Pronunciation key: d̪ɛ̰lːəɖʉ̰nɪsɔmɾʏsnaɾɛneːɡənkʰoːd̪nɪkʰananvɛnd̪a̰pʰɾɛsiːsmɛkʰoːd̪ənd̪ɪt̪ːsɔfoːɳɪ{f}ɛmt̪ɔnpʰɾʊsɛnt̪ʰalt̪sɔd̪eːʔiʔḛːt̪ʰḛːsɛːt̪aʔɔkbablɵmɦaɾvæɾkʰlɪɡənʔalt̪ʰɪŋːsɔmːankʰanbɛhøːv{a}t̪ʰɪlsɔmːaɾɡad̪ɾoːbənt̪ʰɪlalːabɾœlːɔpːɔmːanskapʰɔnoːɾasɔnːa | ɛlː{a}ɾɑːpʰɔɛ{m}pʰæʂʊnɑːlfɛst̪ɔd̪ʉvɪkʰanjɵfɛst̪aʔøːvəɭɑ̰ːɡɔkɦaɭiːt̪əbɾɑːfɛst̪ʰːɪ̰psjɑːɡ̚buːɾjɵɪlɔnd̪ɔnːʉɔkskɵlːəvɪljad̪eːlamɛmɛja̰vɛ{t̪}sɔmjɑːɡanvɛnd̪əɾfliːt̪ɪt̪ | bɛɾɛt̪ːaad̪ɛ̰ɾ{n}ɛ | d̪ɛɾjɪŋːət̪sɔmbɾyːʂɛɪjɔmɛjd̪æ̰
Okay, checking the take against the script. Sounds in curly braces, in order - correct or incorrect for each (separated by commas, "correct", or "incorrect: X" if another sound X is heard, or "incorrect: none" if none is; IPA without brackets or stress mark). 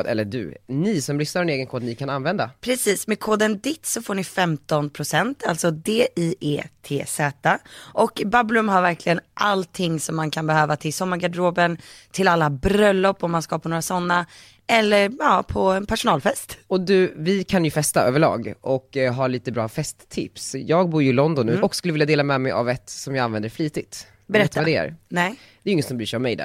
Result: correct, correct, incorrect: ə, incorrect: n, correct, correct